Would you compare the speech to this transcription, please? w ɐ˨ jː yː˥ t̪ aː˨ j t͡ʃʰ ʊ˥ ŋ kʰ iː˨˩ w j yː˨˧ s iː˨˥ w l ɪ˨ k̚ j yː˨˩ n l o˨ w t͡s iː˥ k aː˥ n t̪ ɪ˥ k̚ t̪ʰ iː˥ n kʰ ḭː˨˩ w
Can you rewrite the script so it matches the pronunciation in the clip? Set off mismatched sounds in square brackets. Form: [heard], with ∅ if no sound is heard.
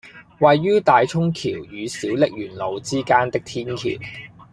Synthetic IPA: w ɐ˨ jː yː˥ t̪ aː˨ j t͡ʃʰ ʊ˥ ŋ kʰ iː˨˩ w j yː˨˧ s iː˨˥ w l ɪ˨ k̚ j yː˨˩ n l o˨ w t͡s iː˥ k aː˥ n t̪ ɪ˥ k̚ t̪ʰ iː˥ n kʰ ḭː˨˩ w